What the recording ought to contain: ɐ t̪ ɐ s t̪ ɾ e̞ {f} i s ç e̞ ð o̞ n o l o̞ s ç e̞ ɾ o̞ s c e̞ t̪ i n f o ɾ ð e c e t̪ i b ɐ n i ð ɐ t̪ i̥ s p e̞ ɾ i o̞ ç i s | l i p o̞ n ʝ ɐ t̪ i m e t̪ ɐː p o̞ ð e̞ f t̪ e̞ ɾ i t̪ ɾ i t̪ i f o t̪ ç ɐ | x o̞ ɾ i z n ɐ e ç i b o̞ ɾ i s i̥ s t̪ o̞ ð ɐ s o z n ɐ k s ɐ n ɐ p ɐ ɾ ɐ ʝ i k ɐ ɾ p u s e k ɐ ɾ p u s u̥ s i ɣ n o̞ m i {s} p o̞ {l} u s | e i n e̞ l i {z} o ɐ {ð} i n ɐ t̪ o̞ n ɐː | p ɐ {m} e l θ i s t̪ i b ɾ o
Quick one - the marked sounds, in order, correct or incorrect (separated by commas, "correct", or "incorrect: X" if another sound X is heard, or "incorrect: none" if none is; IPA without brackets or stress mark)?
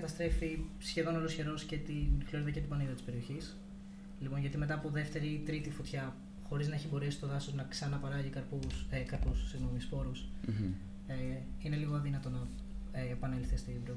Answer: correct, correct, incorrect: ɾ, incorrect: ɣ, correct, incorrect: n